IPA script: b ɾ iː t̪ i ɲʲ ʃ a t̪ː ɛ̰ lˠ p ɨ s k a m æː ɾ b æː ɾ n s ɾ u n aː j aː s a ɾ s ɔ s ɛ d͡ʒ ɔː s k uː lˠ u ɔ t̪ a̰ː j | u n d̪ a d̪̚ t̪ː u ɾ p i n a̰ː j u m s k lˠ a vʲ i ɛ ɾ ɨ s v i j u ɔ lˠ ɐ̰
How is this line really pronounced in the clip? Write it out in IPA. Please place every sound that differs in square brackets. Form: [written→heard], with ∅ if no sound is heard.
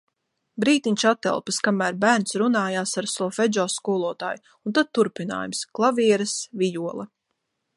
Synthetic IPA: b ɾ iː t̪ i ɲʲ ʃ a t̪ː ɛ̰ lˠ p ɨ s k a m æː ɾ b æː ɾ n s ɾ u n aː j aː s a ɾ s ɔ [s→f] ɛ d͡ʒ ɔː s k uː lˠ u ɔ t̪ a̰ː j | u n [d̪→t̪] a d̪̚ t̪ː u ɾ p i n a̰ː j u m s k lˠ a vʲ i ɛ ɾ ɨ s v i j u ɔ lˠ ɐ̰